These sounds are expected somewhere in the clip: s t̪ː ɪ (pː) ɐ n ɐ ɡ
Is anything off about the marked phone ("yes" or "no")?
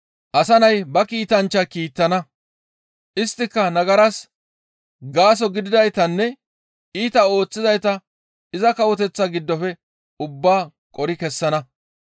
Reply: yes